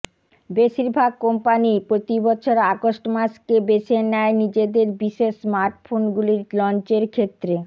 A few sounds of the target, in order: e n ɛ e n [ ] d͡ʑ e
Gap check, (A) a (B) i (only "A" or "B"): B